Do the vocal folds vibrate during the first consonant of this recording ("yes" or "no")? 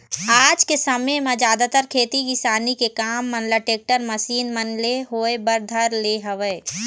yes